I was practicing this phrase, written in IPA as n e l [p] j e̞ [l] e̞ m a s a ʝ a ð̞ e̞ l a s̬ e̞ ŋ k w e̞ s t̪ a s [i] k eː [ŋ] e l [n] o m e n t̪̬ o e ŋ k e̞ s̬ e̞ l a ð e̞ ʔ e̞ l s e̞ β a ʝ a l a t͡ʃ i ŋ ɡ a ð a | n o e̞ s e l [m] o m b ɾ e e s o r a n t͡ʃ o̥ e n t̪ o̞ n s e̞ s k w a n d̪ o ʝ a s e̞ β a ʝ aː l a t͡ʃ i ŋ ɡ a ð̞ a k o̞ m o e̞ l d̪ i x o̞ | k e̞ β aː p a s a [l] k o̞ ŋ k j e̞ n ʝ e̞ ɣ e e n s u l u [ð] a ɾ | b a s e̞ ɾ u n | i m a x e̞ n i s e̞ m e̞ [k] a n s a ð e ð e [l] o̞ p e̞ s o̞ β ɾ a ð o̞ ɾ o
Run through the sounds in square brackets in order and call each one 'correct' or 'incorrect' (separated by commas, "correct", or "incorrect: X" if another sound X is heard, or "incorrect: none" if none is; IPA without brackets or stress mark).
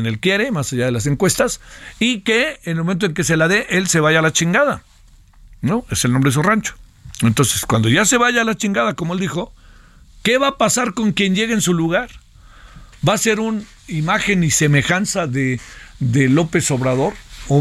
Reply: incorrect: k, incorrect: ɾ, correct, incorrect: n, incorrect: m, incorrect: n, incorrect: ɾ, incorrect: ɣ, incorrect: x, correct